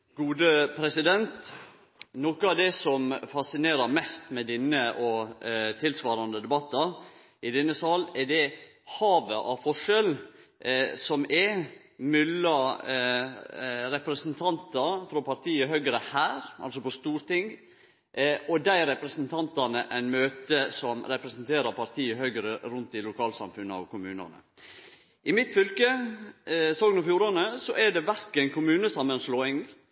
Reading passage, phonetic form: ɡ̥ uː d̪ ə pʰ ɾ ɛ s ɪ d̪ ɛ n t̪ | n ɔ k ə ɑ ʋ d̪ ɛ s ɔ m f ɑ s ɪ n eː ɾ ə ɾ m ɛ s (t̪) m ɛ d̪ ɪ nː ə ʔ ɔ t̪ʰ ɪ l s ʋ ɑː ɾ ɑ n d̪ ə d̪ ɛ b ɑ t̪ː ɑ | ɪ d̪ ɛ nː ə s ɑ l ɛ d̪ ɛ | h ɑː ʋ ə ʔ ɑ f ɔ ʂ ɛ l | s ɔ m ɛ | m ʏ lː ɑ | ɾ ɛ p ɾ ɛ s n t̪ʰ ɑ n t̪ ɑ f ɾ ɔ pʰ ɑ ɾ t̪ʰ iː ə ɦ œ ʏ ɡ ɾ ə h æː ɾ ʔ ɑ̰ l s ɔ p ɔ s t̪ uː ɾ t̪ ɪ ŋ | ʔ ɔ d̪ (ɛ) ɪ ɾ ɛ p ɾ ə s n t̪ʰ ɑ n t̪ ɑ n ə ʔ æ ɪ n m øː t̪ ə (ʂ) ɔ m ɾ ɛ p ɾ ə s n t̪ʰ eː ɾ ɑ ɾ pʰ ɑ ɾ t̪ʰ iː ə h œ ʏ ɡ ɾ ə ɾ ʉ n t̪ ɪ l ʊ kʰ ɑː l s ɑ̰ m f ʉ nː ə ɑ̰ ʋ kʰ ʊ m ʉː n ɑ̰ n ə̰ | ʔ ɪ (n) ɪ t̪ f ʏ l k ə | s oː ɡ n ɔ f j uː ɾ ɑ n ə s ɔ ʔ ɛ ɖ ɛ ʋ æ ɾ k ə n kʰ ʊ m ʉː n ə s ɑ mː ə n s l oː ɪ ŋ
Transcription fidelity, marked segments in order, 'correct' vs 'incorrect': correct, incorrect: æ, incorrect: s, incorrect: m

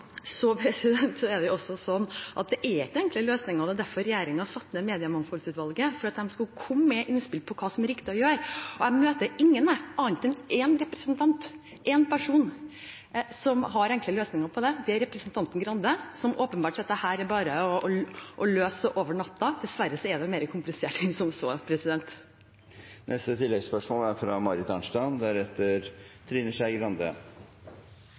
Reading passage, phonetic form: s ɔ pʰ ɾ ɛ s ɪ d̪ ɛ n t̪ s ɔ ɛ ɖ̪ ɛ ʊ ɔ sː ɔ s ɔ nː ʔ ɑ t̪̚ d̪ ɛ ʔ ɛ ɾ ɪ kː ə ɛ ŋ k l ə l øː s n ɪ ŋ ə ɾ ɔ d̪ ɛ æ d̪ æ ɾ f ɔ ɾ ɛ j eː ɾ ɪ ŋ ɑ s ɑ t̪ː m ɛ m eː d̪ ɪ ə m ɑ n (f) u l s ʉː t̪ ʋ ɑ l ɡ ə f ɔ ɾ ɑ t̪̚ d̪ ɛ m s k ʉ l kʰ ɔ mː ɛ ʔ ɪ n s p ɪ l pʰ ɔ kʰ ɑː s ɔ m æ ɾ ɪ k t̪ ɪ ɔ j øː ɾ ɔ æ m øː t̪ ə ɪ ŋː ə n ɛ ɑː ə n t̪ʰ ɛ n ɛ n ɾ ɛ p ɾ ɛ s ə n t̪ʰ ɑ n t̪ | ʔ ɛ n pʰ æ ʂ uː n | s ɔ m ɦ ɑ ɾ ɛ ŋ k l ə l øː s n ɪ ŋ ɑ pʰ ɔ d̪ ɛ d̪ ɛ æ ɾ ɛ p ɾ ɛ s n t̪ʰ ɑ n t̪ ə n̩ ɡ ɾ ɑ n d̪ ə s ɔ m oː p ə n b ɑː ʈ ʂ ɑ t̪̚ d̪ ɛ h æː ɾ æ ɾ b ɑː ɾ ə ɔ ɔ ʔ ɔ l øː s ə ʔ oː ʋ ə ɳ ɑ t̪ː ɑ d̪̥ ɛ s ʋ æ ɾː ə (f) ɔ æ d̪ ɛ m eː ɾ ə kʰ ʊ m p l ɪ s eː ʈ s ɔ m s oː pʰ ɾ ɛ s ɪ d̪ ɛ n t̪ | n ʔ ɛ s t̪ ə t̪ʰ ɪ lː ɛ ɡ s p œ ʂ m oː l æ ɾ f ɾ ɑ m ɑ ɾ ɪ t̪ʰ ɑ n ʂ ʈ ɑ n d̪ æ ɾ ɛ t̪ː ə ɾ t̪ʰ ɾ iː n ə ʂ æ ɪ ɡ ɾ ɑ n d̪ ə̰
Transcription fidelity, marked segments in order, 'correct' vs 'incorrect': correct, incorrect: s

